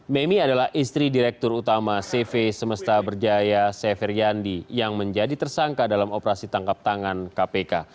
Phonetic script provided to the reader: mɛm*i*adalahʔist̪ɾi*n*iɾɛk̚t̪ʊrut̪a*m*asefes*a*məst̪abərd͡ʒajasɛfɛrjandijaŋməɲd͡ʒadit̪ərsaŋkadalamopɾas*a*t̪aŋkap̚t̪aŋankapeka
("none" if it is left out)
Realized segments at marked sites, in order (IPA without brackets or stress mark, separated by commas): i, d, m, ə, i